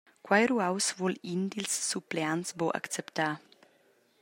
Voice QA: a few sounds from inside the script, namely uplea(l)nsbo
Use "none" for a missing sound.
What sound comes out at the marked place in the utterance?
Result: none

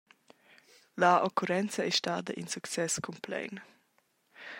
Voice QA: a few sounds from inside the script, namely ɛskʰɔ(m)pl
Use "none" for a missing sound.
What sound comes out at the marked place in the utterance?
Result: m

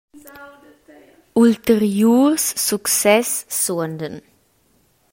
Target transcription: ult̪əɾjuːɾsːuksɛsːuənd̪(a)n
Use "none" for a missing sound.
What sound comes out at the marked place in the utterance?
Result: ə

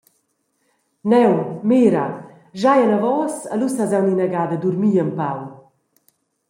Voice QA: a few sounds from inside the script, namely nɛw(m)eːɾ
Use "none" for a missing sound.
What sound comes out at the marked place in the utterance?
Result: m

